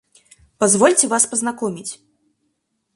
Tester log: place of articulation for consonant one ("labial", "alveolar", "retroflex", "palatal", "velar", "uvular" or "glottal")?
labial